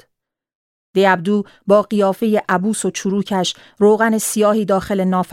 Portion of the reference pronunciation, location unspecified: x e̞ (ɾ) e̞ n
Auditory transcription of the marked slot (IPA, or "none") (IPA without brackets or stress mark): l